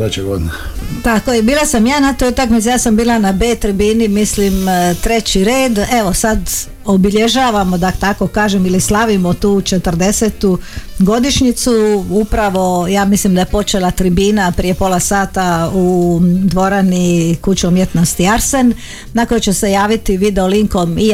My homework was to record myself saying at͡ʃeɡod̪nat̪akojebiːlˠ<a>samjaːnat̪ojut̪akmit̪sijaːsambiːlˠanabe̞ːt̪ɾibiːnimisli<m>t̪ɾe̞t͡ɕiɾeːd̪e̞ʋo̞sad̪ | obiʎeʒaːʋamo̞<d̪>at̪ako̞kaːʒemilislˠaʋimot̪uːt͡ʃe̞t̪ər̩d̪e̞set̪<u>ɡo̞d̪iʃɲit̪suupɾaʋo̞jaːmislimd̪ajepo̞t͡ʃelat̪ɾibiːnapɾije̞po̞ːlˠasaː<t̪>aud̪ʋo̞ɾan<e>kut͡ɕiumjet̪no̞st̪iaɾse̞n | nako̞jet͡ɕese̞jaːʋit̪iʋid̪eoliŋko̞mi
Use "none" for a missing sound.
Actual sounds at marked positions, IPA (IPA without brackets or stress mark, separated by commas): a, m, d̪, u, t̪, i